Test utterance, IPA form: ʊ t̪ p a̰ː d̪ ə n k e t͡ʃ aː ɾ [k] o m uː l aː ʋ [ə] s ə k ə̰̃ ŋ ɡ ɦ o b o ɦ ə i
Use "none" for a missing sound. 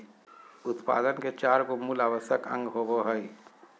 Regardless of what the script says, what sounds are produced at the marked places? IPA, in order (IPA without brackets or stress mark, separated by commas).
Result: k, ə